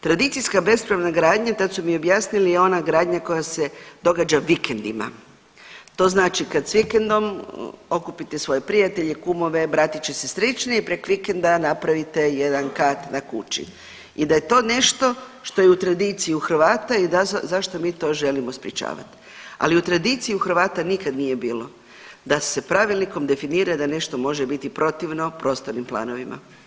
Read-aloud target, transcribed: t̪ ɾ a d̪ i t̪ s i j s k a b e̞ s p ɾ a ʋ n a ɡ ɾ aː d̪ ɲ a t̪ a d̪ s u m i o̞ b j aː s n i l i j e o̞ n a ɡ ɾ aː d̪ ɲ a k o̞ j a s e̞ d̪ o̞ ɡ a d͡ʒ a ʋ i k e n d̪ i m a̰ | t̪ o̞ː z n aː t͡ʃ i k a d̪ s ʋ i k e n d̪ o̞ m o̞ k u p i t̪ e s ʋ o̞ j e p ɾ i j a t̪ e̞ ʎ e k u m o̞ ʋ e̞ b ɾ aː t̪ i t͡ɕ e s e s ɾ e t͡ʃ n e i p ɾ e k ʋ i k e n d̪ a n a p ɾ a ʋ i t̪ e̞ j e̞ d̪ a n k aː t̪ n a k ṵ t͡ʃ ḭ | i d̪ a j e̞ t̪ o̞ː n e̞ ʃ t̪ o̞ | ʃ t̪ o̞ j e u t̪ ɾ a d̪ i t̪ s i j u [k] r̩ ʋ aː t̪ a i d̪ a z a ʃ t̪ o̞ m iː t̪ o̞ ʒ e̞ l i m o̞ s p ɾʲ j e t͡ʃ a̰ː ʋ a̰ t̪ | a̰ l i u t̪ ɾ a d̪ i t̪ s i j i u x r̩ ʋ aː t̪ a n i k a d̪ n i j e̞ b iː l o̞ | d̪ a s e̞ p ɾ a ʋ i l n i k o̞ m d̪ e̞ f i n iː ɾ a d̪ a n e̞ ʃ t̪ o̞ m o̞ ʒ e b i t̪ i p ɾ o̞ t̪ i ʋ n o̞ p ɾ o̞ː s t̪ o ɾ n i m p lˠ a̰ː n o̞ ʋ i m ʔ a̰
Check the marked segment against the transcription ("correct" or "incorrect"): incorrect